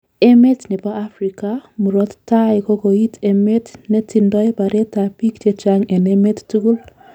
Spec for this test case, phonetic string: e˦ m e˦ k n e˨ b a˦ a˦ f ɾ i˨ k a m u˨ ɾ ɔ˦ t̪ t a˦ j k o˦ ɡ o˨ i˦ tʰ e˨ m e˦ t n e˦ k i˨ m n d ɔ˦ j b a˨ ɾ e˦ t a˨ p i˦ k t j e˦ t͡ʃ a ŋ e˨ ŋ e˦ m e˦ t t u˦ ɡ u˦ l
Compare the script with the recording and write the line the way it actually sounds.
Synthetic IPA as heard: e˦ m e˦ t n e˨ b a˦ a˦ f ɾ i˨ k a m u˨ ɾ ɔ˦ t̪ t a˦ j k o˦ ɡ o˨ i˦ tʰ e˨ m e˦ t n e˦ t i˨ n d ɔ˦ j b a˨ ɾ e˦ t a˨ p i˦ k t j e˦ t͡ʃ a ŋ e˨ n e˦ m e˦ t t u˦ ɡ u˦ l